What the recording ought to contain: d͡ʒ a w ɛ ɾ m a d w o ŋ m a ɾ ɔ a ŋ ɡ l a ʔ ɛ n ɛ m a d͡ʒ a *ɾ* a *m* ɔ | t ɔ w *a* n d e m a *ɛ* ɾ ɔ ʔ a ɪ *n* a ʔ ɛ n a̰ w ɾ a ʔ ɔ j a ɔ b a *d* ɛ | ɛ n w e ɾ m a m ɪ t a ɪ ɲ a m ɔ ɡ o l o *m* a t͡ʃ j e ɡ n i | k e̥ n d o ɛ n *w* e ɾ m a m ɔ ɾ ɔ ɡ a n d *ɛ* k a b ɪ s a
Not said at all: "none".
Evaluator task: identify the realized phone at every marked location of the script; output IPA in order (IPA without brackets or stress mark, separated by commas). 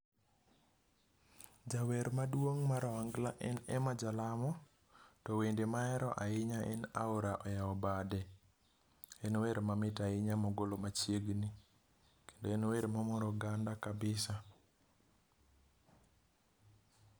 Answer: l, m, e, ɛ, ɲ, d, m, w, a